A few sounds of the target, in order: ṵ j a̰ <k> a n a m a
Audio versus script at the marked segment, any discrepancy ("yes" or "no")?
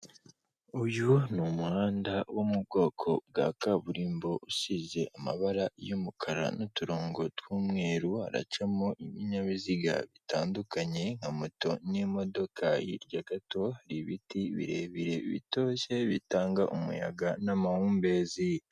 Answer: yes